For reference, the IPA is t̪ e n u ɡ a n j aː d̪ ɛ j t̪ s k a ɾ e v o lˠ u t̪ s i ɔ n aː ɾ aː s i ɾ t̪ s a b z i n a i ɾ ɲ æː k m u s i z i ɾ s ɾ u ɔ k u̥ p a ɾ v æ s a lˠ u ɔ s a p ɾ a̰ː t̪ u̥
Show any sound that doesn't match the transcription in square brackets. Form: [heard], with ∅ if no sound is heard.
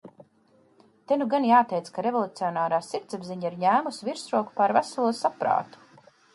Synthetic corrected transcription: t̪ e n u ɡ a n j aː [t̪] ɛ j t̪ s k a ɾ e v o lˠ u t̪ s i ɔ n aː ɾ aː s i ɾ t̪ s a b z i [ɲ] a i ɾ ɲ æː [∅] m u s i [v] i ɾ s ɾ u ɔ k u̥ p a ɾ v æ s a lˠ u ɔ s a p ɾ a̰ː t̪ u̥